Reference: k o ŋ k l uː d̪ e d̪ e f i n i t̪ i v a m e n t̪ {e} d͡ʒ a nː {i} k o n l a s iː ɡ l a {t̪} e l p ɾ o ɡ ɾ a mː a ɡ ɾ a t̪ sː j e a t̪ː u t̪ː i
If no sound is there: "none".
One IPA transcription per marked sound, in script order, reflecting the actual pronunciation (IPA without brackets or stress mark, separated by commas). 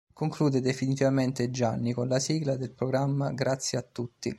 e, i, d̪